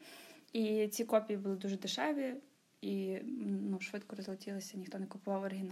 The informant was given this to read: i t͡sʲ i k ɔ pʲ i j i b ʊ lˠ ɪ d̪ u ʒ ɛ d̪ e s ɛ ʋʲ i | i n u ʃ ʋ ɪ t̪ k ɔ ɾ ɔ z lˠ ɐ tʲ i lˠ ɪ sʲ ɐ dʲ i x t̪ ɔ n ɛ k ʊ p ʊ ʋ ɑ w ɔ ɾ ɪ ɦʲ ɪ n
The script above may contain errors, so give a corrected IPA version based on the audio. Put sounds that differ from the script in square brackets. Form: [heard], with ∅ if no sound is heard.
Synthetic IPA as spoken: i t͡sʲ i k ɔ pʲ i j i b ʊ lˠ ɪ d̪ u ʒ ɛ d̪ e [ʃ] ɛ ʋʲ i | i n u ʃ ʋ ɪ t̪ k ɔ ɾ ɔ z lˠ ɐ tʲ i lˠ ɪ sʲ ɐ [nʲ] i x t̪ ɔ n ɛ k ʊ p ʊ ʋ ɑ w ɔ ɾ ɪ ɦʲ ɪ n